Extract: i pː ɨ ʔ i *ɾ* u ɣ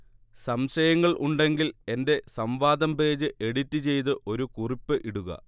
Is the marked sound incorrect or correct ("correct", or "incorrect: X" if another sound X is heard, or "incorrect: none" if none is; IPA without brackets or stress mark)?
incorrect: ɽ